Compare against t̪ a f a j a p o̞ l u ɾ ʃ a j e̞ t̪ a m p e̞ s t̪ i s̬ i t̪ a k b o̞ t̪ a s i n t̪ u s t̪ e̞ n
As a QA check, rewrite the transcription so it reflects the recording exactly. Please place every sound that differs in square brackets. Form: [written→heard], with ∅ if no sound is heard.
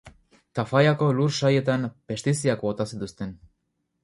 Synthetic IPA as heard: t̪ a f a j a [p→k] o̞ l u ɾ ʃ a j e̞ t̪ a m p e̞ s t̪ i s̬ i [t̪→∅] a k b o̞ t̪ a s i [n→∅] t̪ u s t̪ e̞ n